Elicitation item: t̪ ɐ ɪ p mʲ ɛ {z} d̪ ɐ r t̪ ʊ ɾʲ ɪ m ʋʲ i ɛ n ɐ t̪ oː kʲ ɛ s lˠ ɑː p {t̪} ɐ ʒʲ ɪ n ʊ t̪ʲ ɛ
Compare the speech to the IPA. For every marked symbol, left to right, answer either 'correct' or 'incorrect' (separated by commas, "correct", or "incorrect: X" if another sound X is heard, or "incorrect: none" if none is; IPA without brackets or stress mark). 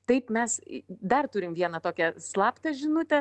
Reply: incorrect: s, correct